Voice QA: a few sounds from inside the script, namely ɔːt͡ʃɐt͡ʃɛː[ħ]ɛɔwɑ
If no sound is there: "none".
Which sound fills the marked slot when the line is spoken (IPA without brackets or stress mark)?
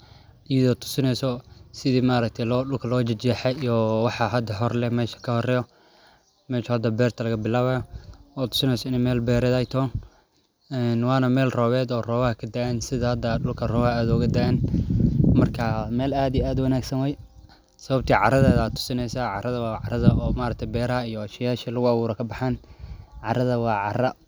ħ